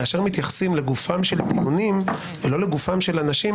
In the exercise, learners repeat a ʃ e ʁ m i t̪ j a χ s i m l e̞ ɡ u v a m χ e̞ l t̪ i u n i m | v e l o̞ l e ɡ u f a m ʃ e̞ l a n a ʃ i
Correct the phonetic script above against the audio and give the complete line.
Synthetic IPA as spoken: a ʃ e ʁ m i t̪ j a χ s i m l e̞ ɡ u f a m ʃ e̞ l t̪ i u n i m | v e l o̞ l e ɡ u f a m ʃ e̞ l a n a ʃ i